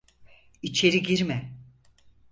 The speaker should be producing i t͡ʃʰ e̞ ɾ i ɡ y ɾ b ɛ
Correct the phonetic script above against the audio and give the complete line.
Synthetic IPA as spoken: i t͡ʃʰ e̞ ɾ i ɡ i ɾ m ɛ